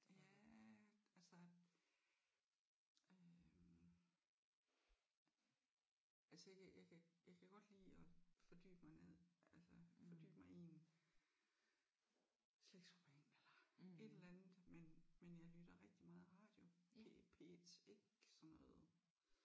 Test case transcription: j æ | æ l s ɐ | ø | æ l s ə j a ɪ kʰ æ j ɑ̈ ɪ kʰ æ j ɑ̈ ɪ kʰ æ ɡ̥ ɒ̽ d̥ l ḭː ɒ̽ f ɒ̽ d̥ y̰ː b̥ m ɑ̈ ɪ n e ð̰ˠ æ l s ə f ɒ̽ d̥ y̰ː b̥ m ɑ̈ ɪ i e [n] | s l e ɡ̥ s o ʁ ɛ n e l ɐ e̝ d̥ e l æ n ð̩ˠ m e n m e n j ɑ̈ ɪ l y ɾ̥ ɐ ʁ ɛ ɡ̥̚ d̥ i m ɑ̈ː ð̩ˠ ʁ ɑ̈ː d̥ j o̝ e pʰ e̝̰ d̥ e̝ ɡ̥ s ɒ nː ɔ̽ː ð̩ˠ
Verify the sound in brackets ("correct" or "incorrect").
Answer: correct